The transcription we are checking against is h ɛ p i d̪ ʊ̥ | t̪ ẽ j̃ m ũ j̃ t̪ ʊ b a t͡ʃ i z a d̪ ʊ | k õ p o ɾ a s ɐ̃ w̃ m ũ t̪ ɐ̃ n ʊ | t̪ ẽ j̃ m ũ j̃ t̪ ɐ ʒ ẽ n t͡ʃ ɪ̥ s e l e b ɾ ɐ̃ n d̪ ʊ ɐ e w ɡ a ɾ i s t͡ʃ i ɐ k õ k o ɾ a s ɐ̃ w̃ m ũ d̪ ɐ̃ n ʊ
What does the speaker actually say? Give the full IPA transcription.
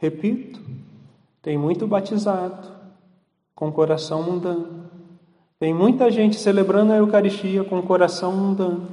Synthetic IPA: h e p i t̪ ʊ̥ | t̪ ẽ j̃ m ũ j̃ t̪ ʊ b a t͡ʃ i z a d̪ ʊ | k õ k o ɾ a s ɐ̃ w̃ m ũ d̪ ɐ̃ n ʊ | t̪ ẽ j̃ m ũ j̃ t̪ ɐ ʒ ẽ n t͡ʃ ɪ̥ s e l e b ɾ ɐ̃ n d̪ ʊ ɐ e w k a ɾ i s t͡ʃ i ɐ k õ k o ɾ a s ɐ̃ w̃ m ũ d̪ ɐ̃ n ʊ